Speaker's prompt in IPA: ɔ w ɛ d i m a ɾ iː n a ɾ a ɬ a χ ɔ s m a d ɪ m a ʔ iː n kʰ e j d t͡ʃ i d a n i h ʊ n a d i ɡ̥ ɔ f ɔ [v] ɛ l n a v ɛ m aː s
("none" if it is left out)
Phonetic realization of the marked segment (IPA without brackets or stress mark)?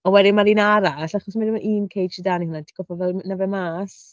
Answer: v